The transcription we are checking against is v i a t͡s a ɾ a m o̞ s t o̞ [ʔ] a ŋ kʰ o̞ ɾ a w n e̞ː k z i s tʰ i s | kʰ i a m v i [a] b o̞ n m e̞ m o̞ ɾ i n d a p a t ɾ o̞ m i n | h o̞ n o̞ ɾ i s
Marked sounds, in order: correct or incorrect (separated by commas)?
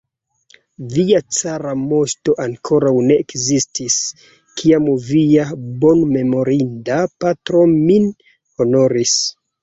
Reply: correct, correct